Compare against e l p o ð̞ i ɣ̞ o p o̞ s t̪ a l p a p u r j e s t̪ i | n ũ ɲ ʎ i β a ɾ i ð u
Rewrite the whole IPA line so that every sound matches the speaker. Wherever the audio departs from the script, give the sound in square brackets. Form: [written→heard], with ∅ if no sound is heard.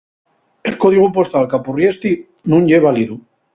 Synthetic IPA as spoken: e l [p→k] o ð̞ i ɣ̞ [o→u] p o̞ s t̪ a l [p→k] a p u r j e s t̪ i | n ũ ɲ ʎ [i→e] β a [ɾ→l] i ð u